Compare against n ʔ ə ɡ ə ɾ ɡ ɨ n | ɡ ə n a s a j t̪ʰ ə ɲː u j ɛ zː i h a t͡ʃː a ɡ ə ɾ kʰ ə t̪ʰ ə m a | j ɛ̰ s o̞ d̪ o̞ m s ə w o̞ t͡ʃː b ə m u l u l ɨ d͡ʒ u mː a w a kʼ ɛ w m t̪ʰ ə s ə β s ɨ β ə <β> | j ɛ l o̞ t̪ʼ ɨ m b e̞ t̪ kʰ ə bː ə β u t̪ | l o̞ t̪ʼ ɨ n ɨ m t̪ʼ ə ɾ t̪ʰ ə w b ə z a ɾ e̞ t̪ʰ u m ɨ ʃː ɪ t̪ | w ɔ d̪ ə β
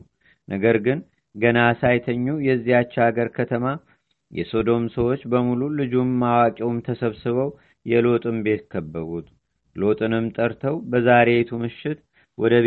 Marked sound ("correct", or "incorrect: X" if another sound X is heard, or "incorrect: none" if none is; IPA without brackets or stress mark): incorrect: w